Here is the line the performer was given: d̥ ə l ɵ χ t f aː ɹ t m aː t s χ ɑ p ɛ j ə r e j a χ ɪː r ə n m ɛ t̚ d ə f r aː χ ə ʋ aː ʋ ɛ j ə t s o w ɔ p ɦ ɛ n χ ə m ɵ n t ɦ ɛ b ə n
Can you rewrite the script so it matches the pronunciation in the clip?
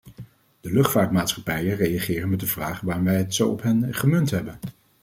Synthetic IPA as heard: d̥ ə l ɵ χ t f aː ɹ t m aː t s χ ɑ p ɛ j ə r e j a χ ɪː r ə n m ɛ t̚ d ə v r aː χ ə ʋ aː ʋ ɛ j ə t s o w ɔ p ɦ ɛ n χ ə m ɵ n t ɦ ɛ b ə n